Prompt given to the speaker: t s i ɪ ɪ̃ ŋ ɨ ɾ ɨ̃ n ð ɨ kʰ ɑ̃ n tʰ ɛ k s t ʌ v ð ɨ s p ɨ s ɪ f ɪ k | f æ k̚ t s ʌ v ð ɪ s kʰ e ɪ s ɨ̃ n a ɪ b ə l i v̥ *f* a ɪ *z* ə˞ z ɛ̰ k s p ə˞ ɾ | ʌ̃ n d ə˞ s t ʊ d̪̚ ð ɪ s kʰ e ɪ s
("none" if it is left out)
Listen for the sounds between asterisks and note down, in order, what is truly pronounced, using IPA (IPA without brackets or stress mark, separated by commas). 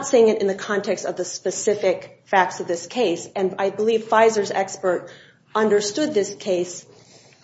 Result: f, z